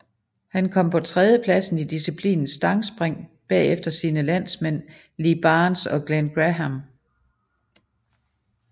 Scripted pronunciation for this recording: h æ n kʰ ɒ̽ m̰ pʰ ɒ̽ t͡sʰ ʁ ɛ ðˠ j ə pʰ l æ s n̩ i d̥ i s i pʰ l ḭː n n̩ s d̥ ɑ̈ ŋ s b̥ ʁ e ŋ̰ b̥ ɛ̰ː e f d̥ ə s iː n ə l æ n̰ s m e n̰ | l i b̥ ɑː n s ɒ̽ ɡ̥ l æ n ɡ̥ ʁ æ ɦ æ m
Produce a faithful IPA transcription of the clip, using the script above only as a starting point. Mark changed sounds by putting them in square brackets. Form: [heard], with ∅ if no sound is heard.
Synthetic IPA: h æ n kʰ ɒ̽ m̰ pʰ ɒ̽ t͡sʰ ʁ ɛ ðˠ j ə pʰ l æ s n̩ i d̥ i s i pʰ l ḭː n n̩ s d̥ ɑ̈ ŋ s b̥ ʁ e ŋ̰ b̥ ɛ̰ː e f d̥ [ɐ] s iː n ə l æ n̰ s m e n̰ | l i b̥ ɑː n s ɒ̽ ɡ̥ l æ n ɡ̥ ʁ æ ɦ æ m